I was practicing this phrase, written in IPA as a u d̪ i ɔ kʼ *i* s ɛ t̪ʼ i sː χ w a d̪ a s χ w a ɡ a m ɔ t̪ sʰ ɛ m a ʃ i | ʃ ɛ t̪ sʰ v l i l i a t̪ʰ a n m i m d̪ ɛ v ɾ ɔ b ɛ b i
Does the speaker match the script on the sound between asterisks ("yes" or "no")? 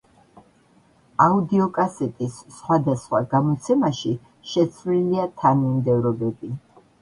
no